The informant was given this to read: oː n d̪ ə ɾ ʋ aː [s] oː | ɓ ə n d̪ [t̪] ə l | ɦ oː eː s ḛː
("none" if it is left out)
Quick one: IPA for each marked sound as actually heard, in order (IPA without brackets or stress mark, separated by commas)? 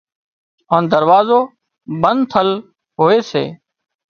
z, t̪ʰ